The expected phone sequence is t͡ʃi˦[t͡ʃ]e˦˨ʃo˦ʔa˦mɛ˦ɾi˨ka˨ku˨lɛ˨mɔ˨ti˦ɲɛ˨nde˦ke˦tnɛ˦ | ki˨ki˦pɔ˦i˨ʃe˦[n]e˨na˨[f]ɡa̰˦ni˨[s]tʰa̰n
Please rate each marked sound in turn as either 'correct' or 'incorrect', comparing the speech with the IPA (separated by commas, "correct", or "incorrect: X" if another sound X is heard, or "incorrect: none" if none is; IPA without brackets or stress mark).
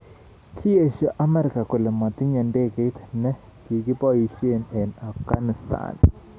incorrect: none, correct, correct, correct